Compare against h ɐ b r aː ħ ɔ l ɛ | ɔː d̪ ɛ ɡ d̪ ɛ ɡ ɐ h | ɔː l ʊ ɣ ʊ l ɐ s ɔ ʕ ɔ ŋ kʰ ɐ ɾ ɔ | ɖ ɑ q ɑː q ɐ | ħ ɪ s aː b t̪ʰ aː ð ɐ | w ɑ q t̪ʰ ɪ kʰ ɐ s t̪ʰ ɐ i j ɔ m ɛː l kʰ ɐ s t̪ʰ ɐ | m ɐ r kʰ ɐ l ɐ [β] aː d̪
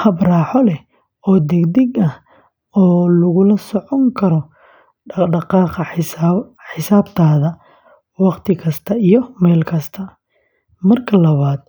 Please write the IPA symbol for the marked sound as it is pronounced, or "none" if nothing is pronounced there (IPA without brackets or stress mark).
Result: β